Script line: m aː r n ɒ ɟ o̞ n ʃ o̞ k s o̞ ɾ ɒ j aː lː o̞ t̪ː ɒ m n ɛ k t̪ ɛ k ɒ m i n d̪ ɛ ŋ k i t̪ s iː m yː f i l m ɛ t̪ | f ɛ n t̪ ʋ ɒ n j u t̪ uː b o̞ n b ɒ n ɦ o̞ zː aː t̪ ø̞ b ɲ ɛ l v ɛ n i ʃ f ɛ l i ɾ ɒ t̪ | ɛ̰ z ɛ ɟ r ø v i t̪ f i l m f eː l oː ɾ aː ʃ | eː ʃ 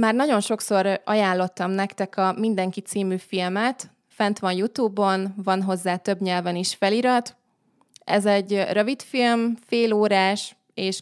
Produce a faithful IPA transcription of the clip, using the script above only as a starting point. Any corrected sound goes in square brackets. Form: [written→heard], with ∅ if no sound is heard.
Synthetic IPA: m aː r n ɒ ɟ o̞ n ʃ o̞ k s o̞ ɾ ɒ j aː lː o̞ t̪ː ɒ m n ɛ k t̪ ɛ k ɒ m i n d̪ ɛ ŋ k i t̪ s iː m yː f i l m ɛ t̪ | f ɛ n t̪ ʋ ɒ n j u t̪ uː b o̞ n [b→v] ɒ n ɦ o̞ zː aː t̪ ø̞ b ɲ ɛ l v ɛ n i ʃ f ɛ l i ɾ ɒ t̪ | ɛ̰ z ɛ ɟ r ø v i t̪ f i l m f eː l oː ɾ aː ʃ | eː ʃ